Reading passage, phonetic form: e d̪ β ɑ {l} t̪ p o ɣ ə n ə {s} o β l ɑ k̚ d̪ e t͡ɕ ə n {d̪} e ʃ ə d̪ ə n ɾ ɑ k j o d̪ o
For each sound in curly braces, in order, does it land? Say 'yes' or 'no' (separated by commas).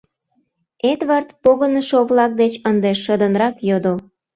no, no, yes